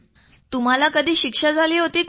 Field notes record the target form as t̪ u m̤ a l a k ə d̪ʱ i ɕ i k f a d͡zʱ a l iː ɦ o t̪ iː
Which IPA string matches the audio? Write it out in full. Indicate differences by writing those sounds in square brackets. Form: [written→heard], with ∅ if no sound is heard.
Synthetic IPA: t̪ u m̤ a l a k ə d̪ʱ [i→iː] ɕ i k [f→ʂ] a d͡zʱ a l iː ɦ o t̪ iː